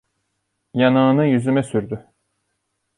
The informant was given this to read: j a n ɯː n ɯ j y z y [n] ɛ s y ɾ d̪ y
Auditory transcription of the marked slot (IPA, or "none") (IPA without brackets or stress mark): m